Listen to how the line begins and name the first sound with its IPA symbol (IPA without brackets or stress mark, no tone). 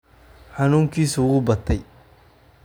ħ